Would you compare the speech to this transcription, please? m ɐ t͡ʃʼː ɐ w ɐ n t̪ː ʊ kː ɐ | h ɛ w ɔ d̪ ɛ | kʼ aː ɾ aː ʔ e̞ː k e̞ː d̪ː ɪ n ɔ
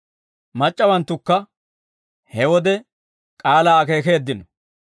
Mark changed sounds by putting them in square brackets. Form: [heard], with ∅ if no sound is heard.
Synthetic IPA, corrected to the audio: m ɐ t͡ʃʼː ɐ w ɐ n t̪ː ʊ kː ɐ | h ɛ w ɔ d̪ ɛ | kʼ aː [l] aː [k] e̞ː k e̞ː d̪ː ɪ n ɔ